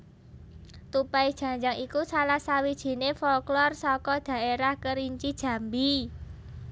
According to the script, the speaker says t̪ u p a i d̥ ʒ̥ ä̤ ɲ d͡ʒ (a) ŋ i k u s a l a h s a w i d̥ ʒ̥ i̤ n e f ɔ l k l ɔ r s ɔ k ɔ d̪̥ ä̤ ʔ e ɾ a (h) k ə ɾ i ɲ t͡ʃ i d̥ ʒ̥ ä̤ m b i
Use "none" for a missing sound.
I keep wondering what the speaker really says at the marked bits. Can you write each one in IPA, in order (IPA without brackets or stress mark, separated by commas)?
a, h